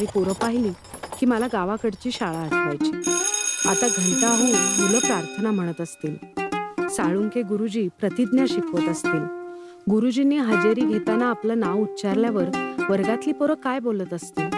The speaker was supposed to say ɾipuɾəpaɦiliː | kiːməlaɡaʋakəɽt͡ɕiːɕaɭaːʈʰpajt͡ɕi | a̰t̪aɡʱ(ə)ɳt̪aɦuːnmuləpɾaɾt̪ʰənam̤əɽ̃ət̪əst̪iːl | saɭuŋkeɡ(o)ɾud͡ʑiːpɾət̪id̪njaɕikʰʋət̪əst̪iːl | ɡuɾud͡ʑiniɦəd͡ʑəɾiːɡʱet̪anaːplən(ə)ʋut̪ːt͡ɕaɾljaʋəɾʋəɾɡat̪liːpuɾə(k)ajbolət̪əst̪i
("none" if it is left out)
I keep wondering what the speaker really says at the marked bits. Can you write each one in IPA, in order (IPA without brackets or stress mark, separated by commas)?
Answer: ə, u, a, k